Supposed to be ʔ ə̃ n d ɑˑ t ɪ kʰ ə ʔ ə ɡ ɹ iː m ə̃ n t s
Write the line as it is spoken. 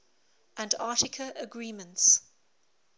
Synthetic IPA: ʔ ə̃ n d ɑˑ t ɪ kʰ ə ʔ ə ɡ ɹ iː m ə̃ n t s